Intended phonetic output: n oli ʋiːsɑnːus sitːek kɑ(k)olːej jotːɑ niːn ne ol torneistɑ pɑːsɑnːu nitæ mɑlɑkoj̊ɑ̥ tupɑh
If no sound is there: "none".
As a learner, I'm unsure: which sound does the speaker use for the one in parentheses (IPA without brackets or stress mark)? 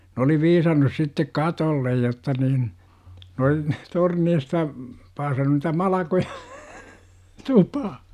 t